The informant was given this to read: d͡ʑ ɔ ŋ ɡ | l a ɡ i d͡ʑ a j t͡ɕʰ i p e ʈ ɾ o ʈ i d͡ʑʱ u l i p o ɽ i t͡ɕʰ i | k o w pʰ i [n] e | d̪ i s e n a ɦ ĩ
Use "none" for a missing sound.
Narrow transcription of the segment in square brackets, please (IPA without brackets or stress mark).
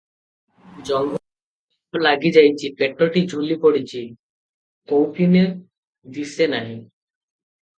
n